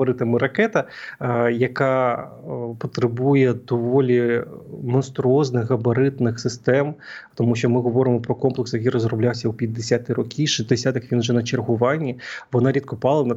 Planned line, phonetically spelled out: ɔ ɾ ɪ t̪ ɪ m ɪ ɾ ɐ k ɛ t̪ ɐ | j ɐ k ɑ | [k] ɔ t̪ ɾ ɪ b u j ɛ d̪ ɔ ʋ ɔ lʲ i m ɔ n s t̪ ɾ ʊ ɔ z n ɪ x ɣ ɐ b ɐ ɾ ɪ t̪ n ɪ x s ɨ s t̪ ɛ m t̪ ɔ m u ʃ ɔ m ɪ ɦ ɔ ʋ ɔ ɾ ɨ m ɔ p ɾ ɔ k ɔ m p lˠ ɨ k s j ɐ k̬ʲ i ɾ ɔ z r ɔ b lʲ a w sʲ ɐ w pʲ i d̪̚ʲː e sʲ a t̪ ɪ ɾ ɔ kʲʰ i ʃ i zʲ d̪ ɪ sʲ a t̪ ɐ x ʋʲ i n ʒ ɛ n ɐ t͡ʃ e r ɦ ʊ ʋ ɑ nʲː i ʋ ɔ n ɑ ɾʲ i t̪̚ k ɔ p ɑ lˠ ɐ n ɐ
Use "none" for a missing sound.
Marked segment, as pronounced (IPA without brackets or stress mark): p